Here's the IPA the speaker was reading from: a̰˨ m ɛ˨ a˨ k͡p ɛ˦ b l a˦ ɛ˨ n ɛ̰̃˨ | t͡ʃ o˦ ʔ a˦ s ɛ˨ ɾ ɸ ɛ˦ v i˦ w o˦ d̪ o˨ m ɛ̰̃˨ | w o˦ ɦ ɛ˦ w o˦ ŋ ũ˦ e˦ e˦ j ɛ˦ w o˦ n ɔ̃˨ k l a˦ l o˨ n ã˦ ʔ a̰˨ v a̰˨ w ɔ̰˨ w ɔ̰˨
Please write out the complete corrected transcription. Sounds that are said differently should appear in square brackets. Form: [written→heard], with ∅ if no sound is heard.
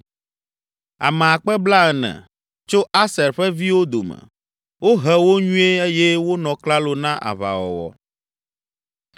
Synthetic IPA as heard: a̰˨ m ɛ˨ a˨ k͡p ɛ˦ b l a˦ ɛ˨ n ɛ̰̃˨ | t͡ʃ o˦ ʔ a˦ s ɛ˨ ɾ ɸ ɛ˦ v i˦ w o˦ d̪ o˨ m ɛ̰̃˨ | w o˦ ɦ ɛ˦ w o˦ [ŋ→ɲ] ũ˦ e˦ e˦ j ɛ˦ w o˦ n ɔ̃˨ k l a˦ l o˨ n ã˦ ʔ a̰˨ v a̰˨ w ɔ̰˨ w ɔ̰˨